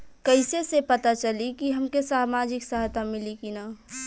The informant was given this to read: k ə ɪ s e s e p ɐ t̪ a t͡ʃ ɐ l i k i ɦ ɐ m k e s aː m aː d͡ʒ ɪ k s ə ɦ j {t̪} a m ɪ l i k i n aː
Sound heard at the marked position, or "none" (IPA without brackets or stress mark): t̪